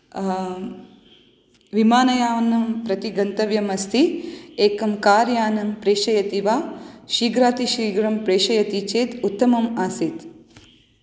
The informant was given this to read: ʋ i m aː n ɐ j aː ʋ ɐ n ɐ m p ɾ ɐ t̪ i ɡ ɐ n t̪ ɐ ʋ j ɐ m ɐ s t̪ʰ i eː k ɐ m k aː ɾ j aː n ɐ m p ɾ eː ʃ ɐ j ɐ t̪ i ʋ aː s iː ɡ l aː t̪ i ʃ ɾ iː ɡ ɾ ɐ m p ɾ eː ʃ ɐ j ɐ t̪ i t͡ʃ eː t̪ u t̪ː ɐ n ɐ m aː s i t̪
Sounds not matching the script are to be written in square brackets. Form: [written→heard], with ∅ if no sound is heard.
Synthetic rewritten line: ʋ i m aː n ɐ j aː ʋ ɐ n ɐ m p ɾ ɐ t̪ i ɡ ɐ n t̪ ɐ ʋ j ɐ m ɐ s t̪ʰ i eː k ɐ m k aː ɾ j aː n ɐ m p ɾ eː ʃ ɐ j ɐ t̪ i ʋ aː [s→ʃ] iː ɡ [l→ɾ] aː t̪ i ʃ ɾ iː ɡ ɾ ɐ m p ɾ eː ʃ ɐ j ɐ t̪ i t͡ʃ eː t̪ u t̪ː ɐ [n→m] ɐ m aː s i t̪